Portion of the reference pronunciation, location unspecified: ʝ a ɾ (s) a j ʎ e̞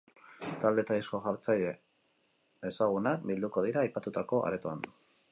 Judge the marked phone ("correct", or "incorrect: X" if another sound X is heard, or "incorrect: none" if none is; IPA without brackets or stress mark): incorrect: t͡s